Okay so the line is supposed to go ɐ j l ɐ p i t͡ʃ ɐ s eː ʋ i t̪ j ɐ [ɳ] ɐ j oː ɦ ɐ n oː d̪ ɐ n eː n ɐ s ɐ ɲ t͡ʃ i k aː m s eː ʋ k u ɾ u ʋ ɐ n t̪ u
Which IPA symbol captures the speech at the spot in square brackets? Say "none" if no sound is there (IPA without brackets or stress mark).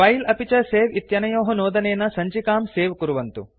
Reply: n